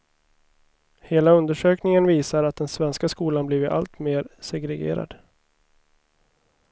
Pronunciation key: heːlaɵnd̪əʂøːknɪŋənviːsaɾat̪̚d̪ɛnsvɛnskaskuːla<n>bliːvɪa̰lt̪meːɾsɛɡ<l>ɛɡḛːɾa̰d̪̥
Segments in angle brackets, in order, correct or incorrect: correct, incorrect

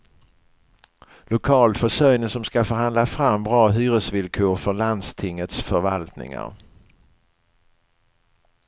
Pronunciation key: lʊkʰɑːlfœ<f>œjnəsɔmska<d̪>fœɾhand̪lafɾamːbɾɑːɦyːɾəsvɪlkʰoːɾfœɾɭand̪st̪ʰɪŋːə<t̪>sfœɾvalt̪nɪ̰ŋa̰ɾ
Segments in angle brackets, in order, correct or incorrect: incorrect, incorrect, correct

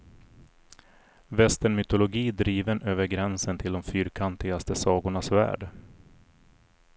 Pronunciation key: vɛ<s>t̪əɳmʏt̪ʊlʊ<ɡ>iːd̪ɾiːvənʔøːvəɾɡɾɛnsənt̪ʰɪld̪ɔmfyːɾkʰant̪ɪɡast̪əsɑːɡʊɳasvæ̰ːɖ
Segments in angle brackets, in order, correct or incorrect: correct, correct

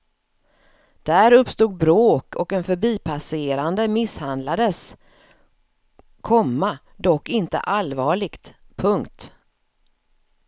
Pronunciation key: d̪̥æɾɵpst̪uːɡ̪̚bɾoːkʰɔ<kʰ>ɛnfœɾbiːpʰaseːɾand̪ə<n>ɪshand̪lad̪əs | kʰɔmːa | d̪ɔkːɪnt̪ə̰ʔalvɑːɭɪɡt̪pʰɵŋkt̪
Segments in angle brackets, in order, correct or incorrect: incorrect, incorrect

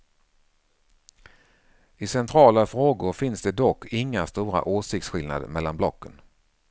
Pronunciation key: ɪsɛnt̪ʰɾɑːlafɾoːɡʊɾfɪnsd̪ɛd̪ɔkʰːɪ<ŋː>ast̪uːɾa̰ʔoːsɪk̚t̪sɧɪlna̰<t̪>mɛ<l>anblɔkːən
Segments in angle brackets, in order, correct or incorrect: correct, incorrect, incorrect

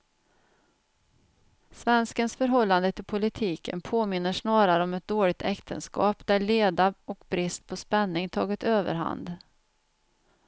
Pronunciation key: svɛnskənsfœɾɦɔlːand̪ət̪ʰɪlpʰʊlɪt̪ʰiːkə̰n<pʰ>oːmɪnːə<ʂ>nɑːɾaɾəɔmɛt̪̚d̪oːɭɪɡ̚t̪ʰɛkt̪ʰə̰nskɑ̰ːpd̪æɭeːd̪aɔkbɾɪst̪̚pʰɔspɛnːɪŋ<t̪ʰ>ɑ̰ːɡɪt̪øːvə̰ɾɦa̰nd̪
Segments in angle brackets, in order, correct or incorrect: correct, correct, correct

